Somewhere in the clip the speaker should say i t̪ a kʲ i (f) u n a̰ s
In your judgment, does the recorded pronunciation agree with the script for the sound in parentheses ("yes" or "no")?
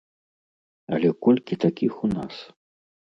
no